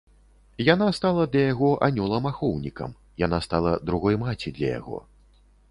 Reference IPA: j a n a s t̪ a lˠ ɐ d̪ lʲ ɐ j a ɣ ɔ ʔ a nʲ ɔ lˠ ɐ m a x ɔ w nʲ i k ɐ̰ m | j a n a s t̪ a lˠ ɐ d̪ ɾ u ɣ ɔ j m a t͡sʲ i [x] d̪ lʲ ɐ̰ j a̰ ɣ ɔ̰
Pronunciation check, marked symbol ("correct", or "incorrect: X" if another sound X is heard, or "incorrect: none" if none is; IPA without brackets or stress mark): incorrect: none